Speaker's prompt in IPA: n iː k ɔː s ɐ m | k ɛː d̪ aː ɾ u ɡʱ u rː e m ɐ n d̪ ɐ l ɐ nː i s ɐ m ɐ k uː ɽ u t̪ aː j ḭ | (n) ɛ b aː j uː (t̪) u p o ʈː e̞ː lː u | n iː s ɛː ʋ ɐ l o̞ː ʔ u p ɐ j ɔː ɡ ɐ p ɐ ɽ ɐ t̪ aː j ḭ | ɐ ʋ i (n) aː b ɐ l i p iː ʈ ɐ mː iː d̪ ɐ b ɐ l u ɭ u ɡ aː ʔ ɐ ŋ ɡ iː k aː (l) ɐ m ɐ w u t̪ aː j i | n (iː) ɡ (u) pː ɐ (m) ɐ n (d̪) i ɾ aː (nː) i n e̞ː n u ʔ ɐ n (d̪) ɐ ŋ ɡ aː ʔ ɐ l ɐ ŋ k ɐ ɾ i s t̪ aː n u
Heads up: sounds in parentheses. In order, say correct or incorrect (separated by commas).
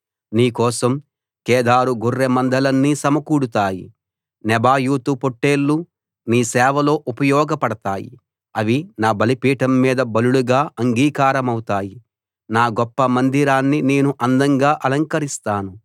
correct, correct, correct, incorrect, incorrect, incorrect, correct, correct, correct, correct